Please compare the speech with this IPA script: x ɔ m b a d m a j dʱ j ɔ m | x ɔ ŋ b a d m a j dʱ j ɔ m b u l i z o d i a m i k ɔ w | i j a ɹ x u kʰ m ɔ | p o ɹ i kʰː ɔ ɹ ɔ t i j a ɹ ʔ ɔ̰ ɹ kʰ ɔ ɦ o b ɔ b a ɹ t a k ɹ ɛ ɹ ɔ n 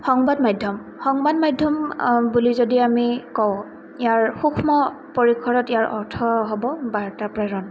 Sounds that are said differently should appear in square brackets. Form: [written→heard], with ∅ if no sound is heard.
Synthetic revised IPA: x ɔ [m→ŋ] b a d m a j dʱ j ɔ m | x ɔ ŋ b a d m a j dʱ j ɔ m b u l i z o d i a m i k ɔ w | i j a ɹ x u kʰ m ɔ | p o ɹ i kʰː ɔ ɹ ɔ t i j a ɹ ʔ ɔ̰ ɹ [kʰ→tʰ] ɔ ɦ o b ɔ b a ɹ t a [k→p] ɹ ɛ ɹ ɔ n